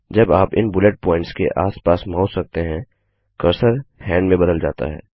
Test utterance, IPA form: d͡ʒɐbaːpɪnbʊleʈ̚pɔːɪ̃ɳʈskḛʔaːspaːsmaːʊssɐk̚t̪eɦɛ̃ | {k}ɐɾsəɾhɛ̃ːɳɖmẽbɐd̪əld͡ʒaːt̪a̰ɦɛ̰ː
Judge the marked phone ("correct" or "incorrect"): correct